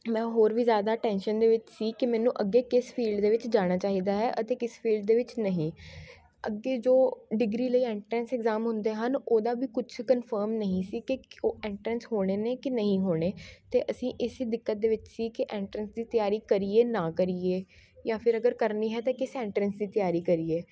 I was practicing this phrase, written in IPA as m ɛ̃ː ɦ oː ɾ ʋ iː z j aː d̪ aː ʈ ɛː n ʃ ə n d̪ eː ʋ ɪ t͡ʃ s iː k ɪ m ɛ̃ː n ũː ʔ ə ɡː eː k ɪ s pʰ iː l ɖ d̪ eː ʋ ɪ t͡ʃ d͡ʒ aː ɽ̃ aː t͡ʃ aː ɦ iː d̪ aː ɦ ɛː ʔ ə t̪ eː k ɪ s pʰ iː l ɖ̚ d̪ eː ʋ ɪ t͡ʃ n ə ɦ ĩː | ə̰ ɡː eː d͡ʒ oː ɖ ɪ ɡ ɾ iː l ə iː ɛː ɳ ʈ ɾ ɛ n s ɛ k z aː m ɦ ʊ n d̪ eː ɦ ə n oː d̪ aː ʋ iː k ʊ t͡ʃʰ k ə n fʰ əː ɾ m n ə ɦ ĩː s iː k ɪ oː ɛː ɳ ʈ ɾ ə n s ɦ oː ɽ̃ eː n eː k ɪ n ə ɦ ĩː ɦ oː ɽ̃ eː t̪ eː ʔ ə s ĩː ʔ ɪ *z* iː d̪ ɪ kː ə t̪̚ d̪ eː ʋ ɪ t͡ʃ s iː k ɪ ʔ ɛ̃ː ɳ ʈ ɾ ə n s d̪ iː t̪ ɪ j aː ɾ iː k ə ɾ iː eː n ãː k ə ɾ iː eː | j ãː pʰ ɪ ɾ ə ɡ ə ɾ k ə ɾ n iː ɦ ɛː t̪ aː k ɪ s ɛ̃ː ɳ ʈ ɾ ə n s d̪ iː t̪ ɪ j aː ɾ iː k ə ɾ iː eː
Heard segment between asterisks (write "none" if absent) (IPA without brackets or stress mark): s